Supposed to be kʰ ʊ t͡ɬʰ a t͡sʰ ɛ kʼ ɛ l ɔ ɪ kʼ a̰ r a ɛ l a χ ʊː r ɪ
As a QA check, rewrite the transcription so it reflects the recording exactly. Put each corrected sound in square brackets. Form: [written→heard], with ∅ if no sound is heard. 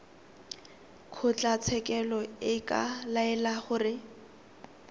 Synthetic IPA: kʰ ʊ [t͡ɬʰ→t͡ɬ] a t͡sʰ ɛ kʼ ɛ l ɔ ɪ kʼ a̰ [r→l] a ɛ l a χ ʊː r ɪ